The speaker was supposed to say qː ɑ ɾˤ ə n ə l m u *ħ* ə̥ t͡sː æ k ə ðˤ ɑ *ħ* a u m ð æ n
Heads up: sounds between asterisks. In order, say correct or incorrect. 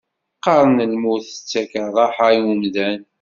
incorrect, correct

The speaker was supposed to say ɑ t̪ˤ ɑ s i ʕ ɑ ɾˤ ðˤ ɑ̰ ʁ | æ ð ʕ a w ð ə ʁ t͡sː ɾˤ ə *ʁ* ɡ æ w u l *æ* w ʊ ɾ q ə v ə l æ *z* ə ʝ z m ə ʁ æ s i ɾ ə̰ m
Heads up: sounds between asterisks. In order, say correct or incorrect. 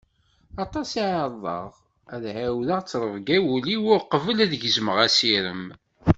incorrect, incorrect, incorrect

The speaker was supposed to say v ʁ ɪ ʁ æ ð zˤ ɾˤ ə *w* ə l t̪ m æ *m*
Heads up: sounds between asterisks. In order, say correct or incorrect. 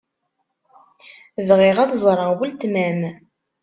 correct, correct

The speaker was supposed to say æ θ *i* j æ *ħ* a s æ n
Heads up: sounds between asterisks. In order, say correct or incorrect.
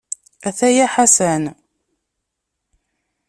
incorrect, correct

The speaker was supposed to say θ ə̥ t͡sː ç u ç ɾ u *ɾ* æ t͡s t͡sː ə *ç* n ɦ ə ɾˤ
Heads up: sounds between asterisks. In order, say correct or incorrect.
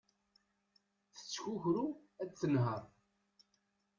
incorrect, incorrect

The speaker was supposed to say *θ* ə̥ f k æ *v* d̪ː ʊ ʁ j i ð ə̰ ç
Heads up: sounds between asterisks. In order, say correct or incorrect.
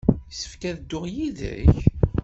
incorrect, incorrect

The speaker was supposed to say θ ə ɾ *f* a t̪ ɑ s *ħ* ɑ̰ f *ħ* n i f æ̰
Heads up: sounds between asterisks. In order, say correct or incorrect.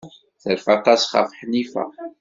correct, incorrect, correct

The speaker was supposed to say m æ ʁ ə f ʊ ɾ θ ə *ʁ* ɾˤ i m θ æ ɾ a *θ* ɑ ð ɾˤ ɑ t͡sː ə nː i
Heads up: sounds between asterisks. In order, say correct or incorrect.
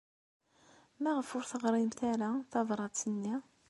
correct, correct

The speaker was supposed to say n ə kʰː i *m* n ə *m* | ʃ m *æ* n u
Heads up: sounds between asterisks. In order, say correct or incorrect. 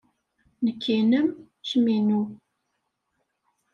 incorrect, correct, incorrect

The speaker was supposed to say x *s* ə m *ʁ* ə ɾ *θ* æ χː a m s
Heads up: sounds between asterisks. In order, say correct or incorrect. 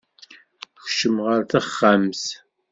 incorrect, correct, correct

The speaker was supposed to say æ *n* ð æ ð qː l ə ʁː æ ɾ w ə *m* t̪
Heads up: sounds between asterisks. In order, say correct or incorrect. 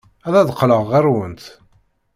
incorrect, incorrect

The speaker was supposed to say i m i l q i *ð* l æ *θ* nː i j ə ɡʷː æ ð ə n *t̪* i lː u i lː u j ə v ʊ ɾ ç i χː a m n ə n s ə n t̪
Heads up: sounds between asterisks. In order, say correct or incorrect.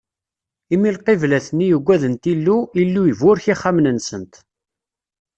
incorrect, correct, correct

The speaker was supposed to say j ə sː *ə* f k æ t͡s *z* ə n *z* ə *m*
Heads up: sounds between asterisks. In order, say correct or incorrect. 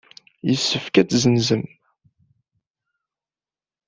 correct, correct, correct, correct

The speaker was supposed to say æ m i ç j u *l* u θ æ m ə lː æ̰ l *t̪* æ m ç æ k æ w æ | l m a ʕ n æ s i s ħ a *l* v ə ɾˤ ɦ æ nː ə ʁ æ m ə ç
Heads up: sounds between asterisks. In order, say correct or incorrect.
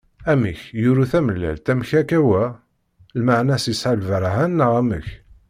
incorrect, correct, correct

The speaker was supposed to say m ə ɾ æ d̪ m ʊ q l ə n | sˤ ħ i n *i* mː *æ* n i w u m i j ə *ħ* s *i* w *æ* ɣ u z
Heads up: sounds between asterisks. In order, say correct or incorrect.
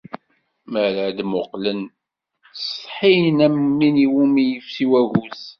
incorrect, incorrect, incorrect, correct, correct

